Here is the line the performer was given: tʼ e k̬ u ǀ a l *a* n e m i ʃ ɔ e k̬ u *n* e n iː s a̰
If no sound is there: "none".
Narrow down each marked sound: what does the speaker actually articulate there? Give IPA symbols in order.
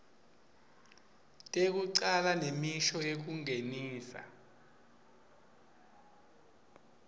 a, ŋ

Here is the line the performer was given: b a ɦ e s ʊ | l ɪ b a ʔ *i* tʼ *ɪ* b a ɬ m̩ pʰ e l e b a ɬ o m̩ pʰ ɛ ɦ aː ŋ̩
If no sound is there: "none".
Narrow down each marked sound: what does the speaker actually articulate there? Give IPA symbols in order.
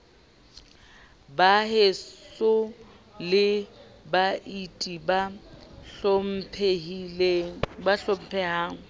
i, i

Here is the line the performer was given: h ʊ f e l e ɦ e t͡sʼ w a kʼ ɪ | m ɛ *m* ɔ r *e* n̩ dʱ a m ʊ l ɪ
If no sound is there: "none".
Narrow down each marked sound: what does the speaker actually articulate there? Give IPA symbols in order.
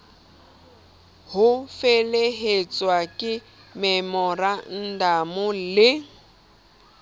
m, a

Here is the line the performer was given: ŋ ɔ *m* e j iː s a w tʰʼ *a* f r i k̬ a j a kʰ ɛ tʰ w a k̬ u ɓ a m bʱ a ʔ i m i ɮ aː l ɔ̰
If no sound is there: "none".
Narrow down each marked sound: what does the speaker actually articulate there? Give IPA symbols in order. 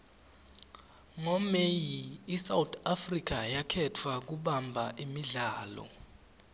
m, a

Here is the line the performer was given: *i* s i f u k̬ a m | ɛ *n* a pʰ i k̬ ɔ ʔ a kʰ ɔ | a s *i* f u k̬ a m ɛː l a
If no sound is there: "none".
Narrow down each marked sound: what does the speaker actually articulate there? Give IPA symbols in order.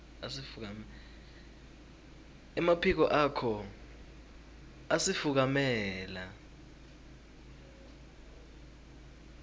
a, m, i

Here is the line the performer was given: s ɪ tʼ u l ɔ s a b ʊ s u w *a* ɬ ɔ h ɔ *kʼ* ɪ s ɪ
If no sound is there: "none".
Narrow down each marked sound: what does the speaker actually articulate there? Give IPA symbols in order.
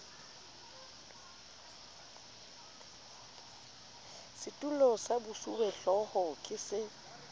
ɛ, kʼ

